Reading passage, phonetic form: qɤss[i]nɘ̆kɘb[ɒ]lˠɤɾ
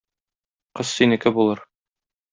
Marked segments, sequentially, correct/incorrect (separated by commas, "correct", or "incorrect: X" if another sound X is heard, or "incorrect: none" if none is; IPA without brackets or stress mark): correct, incorrect: u